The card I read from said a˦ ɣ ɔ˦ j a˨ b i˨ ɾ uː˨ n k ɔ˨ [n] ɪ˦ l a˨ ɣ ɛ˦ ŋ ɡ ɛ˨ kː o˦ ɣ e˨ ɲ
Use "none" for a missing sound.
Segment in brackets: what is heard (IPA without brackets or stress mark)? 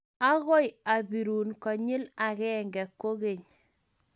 ɲ